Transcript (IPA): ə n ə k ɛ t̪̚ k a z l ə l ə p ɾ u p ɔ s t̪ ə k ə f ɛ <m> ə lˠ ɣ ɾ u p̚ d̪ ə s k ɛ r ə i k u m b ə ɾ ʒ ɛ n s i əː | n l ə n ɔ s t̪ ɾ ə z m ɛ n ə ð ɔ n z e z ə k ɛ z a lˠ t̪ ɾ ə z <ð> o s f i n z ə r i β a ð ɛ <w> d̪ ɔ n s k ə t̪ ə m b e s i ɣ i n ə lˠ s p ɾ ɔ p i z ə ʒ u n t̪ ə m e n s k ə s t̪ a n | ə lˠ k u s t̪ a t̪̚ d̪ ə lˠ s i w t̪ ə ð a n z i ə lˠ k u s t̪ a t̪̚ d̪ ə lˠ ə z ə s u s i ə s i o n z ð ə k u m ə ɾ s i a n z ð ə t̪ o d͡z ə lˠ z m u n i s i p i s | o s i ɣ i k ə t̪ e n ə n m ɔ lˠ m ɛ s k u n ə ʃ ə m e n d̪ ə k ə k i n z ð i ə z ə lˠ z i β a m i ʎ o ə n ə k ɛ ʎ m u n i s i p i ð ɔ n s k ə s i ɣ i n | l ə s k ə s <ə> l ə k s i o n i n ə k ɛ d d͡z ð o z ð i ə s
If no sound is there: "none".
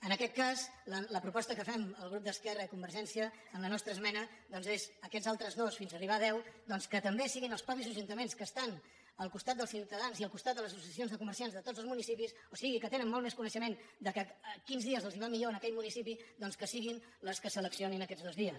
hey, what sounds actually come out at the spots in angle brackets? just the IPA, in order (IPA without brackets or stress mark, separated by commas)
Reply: m, ð, w, ə